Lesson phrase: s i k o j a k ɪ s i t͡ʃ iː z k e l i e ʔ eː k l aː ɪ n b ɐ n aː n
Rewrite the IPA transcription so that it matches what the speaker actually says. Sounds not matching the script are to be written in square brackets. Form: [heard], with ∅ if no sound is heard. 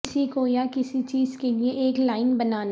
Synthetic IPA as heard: s i k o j a k ɪ s i t͡ʃ iː z k e l i e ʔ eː k l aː ɪ n b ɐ n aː n